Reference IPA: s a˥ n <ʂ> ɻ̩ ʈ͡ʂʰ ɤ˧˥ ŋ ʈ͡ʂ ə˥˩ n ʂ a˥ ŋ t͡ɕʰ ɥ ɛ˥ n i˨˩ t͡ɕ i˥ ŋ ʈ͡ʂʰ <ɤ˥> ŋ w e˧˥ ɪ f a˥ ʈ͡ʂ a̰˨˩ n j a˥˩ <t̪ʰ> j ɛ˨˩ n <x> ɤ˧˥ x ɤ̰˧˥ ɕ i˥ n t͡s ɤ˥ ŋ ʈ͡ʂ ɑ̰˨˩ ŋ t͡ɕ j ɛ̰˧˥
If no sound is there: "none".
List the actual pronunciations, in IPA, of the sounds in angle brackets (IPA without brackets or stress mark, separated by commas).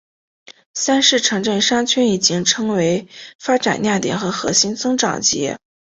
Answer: ʂ, ɤ˥, t̪, x